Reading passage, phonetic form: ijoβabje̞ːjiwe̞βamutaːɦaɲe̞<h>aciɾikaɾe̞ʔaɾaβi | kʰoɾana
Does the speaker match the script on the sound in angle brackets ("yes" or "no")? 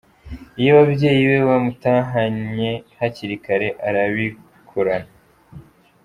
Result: yes